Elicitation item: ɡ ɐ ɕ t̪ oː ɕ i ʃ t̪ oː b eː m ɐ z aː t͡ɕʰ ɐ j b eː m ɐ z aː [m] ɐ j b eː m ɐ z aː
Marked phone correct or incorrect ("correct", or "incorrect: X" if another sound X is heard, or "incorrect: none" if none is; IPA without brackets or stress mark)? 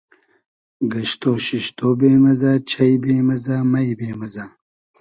correct